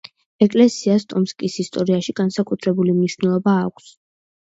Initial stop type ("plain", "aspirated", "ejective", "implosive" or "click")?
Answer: ejective